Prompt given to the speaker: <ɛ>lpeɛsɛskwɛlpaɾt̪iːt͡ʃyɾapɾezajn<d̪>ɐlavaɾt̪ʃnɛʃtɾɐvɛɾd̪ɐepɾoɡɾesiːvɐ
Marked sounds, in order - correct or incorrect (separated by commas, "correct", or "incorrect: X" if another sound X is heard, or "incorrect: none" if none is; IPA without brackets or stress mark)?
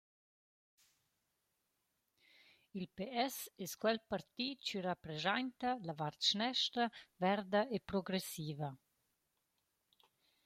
incorrect: i, incorrect: t̪